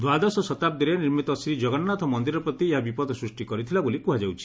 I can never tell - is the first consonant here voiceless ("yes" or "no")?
no